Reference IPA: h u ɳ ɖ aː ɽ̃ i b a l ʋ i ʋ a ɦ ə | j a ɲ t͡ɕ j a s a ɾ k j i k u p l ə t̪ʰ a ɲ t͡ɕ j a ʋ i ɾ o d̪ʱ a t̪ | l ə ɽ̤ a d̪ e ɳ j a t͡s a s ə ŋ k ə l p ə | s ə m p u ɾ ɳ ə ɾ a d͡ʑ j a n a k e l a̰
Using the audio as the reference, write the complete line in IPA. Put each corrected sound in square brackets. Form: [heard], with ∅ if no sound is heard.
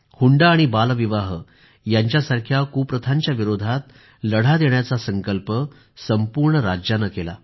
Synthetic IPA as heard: h u ɳ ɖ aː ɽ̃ i b a l ʋ i ʋ a ɦ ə | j a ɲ t͡ɕ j a s a ɾ [kʰ] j [a] k u p [ɾ] ə t̪ʰ a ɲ t͡ɕ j a ʋ i ɾ o d̪ʱ a t̪ | l ə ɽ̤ a d̪ e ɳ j a t͡s a s ə ŋ k ə l p ə | s ə m p u ɾ ɳ ə ɾ a d͡ʑ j a n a k e l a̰